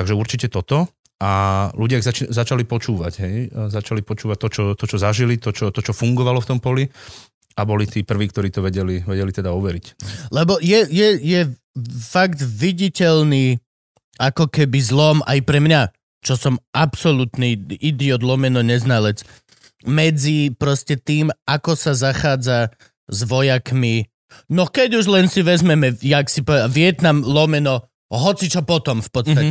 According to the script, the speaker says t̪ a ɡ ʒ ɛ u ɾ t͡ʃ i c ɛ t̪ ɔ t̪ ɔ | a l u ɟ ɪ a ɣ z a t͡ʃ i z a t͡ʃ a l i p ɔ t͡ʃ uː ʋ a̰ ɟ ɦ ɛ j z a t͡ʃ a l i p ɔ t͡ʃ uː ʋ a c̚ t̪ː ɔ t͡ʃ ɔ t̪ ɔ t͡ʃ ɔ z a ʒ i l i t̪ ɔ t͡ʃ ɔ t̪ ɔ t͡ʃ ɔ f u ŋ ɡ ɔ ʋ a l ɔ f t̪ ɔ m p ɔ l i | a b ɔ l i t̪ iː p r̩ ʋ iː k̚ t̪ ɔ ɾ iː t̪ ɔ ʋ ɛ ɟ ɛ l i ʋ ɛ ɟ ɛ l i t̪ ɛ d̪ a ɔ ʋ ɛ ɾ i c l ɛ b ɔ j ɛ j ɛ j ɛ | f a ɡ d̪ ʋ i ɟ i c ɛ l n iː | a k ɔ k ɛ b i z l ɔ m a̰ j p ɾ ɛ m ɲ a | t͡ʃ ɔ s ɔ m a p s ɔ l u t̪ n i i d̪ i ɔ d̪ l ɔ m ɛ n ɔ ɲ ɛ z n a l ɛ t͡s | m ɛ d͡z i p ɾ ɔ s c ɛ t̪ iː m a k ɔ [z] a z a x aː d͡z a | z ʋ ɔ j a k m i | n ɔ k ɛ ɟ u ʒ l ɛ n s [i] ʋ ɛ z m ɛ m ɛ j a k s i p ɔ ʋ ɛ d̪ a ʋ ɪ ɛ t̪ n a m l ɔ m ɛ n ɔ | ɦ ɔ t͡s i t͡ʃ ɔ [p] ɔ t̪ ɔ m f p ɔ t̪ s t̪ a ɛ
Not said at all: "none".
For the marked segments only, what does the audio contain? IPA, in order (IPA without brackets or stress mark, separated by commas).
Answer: s, i, p